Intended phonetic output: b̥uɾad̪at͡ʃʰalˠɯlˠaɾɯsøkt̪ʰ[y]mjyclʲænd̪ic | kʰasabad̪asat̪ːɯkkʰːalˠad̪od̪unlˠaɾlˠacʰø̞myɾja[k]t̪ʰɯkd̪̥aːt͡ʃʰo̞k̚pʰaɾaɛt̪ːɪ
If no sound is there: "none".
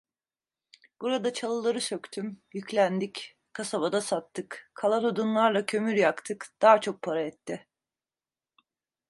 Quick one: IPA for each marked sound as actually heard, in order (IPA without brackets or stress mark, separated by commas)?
y, k